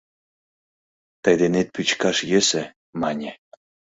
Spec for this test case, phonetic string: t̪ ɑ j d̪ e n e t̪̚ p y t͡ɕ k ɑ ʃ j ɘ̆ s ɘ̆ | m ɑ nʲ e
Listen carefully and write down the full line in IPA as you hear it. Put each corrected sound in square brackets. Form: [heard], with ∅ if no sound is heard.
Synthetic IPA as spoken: t̪ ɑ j d̪ e n e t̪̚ p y t͡ɕ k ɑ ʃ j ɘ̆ s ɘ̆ | m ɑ nʲ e